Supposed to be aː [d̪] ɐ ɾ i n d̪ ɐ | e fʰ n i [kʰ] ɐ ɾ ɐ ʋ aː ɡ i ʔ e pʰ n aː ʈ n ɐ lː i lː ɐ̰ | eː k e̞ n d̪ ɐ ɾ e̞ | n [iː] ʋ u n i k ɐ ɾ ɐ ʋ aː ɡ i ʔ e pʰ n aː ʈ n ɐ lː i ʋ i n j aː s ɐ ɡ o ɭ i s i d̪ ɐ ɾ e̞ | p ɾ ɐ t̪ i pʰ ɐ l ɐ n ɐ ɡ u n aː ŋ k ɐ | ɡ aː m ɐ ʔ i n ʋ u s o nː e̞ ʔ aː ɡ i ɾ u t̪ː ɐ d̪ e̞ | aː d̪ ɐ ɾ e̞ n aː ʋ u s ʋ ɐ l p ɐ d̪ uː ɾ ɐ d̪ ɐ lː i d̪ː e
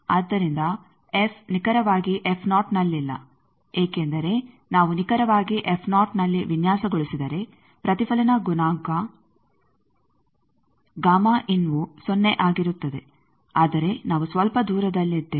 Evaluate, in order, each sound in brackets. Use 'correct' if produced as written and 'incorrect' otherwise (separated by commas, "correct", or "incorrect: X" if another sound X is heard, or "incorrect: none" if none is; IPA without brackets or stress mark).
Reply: incorrect: d̪ː, incorrect: k, incorrect: aː